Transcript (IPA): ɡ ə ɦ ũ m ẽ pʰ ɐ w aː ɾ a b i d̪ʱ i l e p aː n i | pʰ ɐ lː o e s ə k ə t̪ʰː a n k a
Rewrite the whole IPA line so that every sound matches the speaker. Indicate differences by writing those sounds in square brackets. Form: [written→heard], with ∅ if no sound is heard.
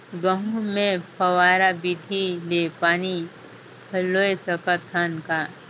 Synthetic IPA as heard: ɡ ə ɦ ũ m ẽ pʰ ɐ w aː ɾ a b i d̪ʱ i l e p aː n i | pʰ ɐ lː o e s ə k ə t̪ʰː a n k a

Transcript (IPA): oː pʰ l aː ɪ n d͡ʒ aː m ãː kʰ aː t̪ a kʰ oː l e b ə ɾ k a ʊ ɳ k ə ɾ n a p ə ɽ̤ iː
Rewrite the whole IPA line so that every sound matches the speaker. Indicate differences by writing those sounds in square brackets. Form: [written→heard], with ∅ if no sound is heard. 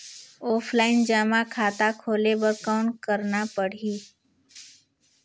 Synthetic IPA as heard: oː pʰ l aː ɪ n d͡ʒ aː m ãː kʰ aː t̪ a kʰ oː l e b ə ɾ k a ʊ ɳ k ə ɾ n a p ə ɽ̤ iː

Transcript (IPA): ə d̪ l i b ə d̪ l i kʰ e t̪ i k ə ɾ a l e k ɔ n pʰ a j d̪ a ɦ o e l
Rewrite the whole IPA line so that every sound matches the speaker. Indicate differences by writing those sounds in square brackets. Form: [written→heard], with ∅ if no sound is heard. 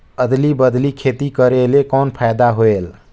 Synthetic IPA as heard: ə d̪ l i b ə d̪ l i kʰ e t̪ i k ə ɾ [a→e] l e k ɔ n pʰ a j d̪ a ɦ o e l

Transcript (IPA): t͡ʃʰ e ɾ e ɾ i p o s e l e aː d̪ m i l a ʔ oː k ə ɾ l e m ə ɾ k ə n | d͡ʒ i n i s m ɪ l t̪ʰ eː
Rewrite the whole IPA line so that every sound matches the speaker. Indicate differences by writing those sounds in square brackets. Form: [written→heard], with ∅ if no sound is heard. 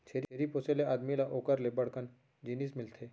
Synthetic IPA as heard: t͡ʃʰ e ɾ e ɾ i p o s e l e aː d̪ m i l a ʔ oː k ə ɾ l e [m→b] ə [ɾ→ɽ] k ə n | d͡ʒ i n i s m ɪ l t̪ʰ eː

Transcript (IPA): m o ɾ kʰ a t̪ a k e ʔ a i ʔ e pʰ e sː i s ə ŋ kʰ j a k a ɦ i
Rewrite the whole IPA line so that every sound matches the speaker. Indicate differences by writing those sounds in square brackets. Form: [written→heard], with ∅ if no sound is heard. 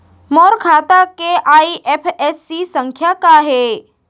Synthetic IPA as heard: m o ɾ kʰ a t̪ a k e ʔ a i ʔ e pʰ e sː i s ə ŋ kʰ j a k a ɦ [i→e]

